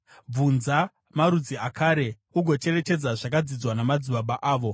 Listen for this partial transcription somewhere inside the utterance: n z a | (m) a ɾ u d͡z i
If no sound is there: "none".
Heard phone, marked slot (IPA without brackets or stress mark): m